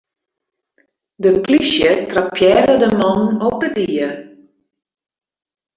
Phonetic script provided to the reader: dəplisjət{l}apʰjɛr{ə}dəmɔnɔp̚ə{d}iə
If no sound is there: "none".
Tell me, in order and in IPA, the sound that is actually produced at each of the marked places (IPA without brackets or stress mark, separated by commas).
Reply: r, ə, d